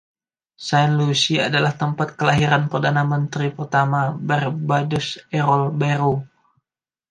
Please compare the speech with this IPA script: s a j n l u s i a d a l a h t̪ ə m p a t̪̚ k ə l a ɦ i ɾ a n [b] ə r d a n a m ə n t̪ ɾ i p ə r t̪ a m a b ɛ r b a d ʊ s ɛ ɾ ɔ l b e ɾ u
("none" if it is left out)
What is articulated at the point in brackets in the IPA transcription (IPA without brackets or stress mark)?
p